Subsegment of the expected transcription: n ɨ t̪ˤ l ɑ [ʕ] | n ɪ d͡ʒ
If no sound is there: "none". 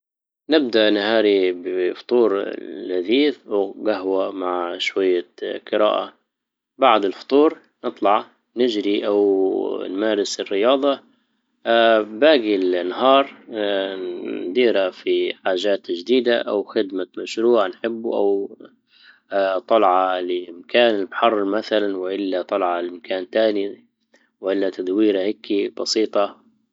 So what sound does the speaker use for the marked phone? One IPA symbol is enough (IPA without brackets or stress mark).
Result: ʕ